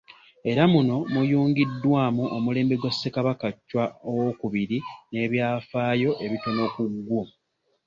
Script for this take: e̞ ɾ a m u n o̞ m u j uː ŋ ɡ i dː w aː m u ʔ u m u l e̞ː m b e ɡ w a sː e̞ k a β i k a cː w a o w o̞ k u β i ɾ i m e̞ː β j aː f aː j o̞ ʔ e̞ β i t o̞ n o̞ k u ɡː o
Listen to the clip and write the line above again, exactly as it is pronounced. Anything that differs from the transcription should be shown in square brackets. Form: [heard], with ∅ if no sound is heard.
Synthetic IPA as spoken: e̞ ɾ a m u n o̞ m u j uː ŋ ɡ i dː w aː m u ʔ [o] m u l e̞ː m b e ɡ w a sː e̞ k a β [a] k a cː w a o w o̞ k u β i ɾ i [n] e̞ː β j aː f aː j o̞ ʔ e̞ β i t o̞ n o̞ k u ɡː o